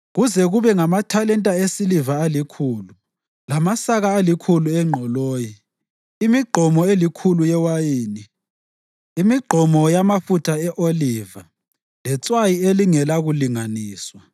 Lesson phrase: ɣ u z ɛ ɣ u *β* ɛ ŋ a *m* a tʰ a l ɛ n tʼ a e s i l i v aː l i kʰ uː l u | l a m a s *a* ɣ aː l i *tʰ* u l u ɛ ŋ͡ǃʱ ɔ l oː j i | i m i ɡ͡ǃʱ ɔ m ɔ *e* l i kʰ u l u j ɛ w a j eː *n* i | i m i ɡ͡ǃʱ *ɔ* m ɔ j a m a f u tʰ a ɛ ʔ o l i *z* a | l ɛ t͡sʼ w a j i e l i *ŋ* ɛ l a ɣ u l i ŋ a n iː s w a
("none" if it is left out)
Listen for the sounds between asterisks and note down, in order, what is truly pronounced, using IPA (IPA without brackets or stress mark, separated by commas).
β, m, a, kʰ, e, n, ɔ, v, ŋ